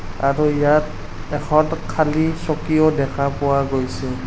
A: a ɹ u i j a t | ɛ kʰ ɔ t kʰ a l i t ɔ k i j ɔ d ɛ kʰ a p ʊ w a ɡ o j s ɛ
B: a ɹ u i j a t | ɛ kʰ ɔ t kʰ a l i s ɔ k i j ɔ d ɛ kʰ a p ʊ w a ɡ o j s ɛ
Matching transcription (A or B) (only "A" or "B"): B